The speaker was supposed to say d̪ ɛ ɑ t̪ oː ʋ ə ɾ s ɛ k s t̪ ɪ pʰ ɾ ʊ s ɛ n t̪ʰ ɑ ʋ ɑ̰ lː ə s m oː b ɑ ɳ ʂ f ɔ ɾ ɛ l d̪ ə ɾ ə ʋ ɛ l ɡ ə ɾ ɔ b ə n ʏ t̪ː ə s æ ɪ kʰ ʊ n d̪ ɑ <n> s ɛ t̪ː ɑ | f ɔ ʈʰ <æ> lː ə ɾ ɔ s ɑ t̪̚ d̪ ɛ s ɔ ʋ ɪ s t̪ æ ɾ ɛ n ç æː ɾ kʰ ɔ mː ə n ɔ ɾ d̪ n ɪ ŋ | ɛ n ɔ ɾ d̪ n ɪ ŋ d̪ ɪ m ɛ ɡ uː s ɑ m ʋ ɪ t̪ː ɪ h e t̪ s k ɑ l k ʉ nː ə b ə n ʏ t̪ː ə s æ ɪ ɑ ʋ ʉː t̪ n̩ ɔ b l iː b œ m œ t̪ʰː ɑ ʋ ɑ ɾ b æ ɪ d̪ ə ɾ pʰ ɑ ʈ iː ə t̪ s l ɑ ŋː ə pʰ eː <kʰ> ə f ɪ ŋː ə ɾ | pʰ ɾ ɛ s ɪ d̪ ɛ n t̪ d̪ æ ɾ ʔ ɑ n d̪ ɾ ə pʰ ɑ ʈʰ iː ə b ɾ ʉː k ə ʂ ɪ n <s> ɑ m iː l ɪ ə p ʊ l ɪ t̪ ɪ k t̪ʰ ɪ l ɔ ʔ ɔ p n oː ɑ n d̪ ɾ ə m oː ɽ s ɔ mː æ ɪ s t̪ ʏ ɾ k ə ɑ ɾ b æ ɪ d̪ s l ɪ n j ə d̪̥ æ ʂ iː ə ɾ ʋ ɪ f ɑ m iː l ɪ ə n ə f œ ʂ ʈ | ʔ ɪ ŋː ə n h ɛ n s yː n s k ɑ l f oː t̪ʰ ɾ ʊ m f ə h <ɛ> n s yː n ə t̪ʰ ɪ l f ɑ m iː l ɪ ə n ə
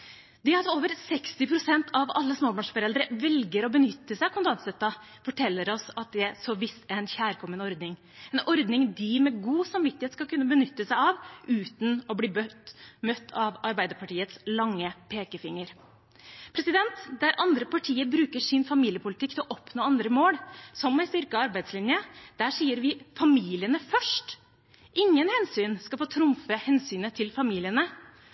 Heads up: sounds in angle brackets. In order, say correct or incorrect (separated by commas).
correct, incorrect, incorrect, incorrect, correct